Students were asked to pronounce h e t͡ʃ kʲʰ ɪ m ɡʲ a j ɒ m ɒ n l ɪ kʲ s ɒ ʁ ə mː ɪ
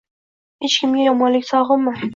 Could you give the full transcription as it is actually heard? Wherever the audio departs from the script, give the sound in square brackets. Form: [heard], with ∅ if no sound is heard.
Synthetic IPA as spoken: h e t͡ʃ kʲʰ ɪ m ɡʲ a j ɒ m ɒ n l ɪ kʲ s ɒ ʁ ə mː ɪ